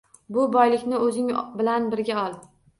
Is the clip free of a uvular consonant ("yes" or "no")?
yes